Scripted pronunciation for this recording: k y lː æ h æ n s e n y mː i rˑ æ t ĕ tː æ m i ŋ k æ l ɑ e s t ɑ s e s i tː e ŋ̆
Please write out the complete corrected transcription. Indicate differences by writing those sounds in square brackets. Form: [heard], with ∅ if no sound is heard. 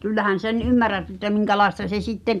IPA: k y lː æ h æ n s e n y mː [æ] rˑ æ t ĕ tː æ m i ŋ k æ l ɑ e s t ɑ s e s i tː e ŋ̆

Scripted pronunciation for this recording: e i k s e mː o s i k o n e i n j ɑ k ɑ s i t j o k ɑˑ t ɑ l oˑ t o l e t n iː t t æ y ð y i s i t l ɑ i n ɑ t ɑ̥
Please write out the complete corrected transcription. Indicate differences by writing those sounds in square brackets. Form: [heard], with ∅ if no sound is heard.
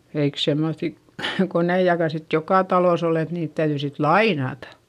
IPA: e i k s e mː o [θ] i k o n e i [∅] j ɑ k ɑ s i t j o k ɑˑ t ɑ l oˑ [s] o l e t n iː t t æ y ð y i s i t l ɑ i n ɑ t ɑ̥

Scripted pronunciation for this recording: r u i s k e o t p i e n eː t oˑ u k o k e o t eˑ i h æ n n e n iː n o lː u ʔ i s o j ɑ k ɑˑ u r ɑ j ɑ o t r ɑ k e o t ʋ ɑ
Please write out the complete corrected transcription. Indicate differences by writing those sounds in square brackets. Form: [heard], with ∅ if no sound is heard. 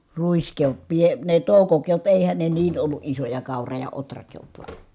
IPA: r u i s k e o t p i e n [e] t oˑ u k o k e o t eˑ i h æ n n e n iː n o lː u ʔ i s o j ɑ k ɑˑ u r ɑ j ɑ o t r ɑ k e o t ʋ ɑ

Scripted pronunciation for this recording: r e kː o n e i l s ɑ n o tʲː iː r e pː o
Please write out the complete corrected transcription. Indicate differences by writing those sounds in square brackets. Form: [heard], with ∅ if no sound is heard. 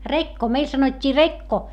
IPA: r e kː o [m] e i l s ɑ n o tʲː iː r e [kː] o

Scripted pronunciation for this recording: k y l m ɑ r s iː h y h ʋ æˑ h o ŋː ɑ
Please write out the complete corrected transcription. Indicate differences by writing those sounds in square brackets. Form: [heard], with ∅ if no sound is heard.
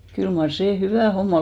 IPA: k y l m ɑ r s [eː] h y [∅] ʋ æˑ h o [mː] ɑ

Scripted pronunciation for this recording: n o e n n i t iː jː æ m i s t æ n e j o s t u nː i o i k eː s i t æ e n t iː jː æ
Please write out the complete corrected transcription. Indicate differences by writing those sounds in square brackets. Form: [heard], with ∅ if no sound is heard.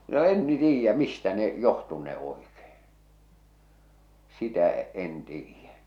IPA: n o e n n i t iː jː æ m i s t æ n e j o [h] t u nː [e] o i k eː s i t æ e n t iː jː æ

